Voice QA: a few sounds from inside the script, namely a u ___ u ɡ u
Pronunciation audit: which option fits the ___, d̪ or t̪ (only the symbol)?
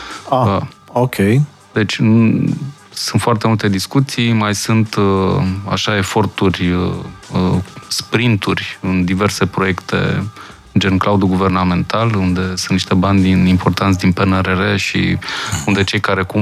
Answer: d̪